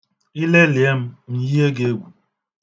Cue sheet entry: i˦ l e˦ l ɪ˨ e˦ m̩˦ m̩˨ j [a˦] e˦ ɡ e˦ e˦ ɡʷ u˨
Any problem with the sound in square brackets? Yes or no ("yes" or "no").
yes